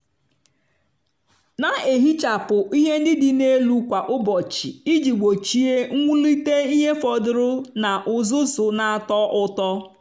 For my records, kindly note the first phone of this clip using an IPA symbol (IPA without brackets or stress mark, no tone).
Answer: n